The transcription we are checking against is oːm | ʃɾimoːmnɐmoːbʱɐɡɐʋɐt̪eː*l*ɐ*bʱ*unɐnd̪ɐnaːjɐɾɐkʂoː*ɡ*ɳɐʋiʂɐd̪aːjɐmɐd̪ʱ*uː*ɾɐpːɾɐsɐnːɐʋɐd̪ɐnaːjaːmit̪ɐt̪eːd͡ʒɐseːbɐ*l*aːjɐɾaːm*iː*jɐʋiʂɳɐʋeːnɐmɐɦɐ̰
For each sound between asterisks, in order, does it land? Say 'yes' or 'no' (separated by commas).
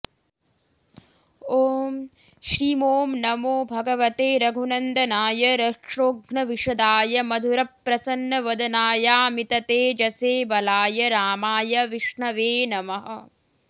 no, no, yes, no, yes, no